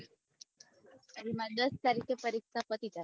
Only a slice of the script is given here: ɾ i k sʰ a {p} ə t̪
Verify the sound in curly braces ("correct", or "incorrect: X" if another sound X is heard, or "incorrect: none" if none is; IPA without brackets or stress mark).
correct